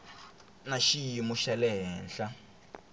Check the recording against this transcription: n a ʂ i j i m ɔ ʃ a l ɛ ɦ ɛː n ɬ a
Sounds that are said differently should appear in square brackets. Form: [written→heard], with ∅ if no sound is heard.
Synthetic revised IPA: n a [ʂ→ʃ] i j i m [ɔ→u] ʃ a l ɛ ɦ ɛː n ɬ a